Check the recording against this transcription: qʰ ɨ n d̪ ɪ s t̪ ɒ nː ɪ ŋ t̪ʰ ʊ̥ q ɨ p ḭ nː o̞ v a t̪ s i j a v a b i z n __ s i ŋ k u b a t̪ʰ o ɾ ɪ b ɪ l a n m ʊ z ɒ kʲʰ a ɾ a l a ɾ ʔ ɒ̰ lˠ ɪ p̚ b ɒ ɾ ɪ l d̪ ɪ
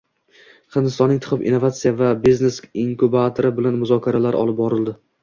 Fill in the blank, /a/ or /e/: e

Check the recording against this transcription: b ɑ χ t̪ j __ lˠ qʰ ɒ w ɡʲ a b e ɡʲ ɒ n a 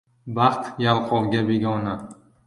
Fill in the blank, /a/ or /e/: a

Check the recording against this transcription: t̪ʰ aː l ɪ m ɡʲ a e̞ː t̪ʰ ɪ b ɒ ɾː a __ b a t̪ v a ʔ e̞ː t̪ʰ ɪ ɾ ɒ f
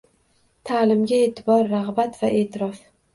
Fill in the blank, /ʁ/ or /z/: ʁ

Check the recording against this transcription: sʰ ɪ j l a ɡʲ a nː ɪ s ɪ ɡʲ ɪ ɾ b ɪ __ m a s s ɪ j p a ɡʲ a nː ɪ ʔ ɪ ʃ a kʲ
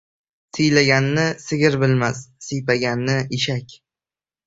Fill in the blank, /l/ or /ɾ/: l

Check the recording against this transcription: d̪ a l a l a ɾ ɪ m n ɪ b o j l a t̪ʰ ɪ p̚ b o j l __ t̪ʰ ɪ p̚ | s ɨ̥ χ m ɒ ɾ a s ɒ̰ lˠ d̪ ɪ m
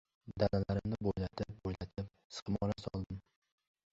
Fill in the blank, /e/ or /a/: a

